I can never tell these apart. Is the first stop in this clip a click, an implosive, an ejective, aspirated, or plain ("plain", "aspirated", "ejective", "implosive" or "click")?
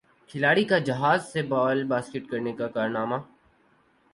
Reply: aspirated